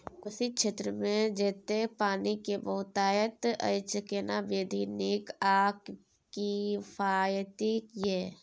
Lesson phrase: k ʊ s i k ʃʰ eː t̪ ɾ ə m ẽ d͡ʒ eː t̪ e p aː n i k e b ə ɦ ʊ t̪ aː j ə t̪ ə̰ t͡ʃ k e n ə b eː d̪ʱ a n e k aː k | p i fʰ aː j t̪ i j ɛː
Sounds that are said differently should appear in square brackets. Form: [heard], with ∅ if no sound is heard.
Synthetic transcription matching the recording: k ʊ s i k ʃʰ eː t̪ ɾ ə m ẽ d͡ʒ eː t̪ e p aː n i k e b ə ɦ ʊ t̪ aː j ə t̪ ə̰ t͡ʃ k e n [a] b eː d̪ʱ [i] n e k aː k | [k] i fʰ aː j t̪ i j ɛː

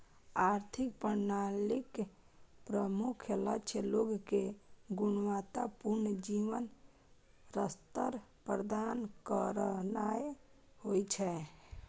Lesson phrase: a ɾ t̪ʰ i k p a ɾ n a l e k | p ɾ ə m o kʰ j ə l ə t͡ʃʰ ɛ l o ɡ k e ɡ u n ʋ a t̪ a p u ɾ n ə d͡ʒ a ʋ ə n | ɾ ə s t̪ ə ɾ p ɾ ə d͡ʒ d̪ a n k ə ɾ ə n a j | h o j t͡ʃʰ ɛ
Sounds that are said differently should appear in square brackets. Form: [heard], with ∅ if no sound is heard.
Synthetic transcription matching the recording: a ɾ t̪ʰ i k p [ə] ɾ n a l [i] k | p ɾ ə m [u] kʰ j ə l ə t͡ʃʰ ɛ l o ɡ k e ɡ u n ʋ a t̪ a p u ɾ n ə d͡ʒ [i] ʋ ə n | ɾ ə s t̪ ə ɾ p ɾ ə [∅] d̪ a n k ə ɾ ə n a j | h o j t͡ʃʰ ɛ

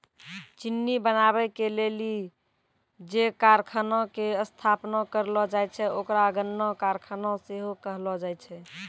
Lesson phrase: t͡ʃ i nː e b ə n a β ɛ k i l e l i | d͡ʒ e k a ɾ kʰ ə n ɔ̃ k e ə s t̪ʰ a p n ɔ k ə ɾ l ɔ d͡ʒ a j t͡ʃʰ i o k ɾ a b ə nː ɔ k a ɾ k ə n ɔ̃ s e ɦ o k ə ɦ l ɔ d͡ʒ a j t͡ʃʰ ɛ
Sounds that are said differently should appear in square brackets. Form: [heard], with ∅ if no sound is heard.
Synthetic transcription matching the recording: t͡ʃ i nː [i] b ə n a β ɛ k [e] l e l i | d͡ʒ e k a ɾ kʰ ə n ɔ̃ k e ə s t̪ʰ a p n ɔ k ə ɾ l ɔ d͡ʒ a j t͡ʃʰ [ɛ] o k ɾ a [ɡ] ə nː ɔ k a ɾ [kʰ] ə n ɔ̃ s e ɦ o k ə ɦ l ɔ d͡ʒ a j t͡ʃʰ ɛ

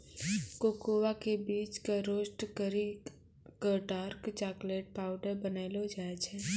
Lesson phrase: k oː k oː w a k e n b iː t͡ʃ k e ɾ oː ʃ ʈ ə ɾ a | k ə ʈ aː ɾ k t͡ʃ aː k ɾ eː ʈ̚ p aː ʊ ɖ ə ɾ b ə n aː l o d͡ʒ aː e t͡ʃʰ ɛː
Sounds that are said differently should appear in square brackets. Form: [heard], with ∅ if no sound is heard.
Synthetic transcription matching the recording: k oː k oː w a k e [∅] b iː t͡ʃ k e ɾ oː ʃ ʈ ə ɾ [i] | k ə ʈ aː ɾ k t͡ʃ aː k [l] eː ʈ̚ p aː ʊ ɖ ə ɾ b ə n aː l o d͡ʒ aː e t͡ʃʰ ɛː

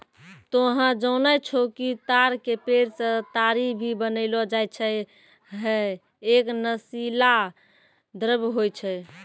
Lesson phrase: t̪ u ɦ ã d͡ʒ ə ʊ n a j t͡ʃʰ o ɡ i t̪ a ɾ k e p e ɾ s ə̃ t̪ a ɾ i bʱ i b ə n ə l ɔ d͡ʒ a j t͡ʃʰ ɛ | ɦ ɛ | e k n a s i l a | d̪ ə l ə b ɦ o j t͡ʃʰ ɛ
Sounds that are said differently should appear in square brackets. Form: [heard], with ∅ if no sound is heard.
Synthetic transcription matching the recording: t̪ [o] ɦ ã d͡ʒ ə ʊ n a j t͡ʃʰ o [k] i t̪ a ɾ k e p e ɾ s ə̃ t̪ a ɾ i bʱ i b ə n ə l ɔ d͡ʒ a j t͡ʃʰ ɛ | ɦ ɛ | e k n [ə] s i l a | d̪ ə [ɾ] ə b ɦ o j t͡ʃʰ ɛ

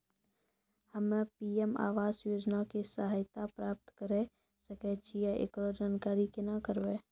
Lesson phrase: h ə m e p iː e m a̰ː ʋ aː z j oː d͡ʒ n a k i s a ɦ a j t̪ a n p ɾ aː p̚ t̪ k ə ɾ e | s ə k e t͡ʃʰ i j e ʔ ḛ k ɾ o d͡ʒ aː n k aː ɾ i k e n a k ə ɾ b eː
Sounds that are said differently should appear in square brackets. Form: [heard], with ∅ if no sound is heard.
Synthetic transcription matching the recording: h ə m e p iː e m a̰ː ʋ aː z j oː d͡ʒ n a k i s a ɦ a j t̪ a [∅] p ɾ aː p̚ t̪ k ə ɾ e | s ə k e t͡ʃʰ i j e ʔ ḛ k ɾ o d͡ʒ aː n k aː ɾ i k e n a k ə ɾ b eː

